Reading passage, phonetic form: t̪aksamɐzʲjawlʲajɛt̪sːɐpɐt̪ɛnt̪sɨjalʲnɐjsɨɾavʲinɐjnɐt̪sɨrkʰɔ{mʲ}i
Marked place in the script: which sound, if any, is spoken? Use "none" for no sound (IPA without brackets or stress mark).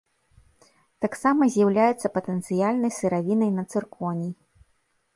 nʲ